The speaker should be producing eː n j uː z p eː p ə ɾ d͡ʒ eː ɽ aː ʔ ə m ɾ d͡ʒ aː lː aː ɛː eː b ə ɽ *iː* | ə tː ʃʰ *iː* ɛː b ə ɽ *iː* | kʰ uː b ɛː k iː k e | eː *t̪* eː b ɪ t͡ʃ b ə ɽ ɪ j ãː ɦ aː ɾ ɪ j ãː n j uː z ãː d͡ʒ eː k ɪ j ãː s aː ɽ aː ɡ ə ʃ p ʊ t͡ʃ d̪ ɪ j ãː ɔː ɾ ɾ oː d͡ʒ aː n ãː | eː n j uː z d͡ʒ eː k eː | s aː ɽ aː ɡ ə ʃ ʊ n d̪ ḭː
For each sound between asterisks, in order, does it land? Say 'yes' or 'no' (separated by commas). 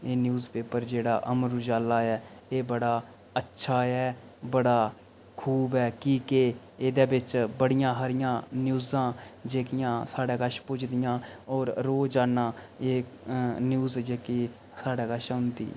no, no, no, no